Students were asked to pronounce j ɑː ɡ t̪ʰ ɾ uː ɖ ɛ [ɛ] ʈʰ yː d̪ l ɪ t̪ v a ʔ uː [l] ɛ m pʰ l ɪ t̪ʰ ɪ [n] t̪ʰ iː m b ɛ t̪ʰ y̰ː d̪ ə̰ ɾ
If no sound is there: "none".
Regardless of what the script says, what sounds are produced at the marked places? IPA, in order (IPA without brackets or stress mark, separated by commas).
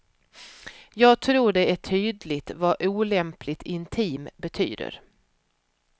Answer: æ, l, n